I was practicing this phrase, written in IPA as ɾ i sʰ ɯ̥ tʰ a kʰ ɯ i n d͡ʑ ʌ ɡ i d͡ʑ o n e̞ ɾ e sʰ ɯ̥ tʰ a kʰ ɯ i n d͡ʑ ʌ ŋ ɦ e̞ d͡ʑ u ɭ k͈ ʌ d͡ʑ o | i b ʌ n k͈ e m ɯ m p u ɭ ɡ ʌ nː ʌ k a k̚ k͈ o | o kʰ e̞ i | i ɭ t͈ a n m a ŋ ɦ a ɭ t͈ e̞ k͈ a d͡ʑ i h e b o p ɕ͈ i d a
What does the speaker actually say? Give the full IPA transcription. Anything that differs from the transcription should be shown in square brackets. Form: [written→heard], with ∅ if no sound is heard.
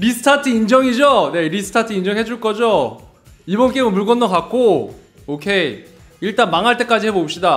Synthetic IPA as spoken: ɾ i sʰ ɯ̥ tʰ a [kʰ→tʰ] ɯ i n d͡ʑ ʌ [ɡ→ŋ] i d͡ʑ o n e̞ ɾ [e→i] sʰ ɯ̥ tʰ a [kʰ→tʰ] ɯ i n d͡ʑ ʌ ŋ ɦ e̞ d͡ʑ u ɭ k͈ ʌ d͡ʑ o | i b ʌ n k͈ e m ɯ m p u ɭ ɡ ʌ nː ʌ k a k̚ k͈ o | o kʰ e̞ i | i ɭ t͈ a n m a ŋ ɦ a ɭ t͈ e̞ k͈ a d͡ʑ i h e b o p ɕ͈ i d a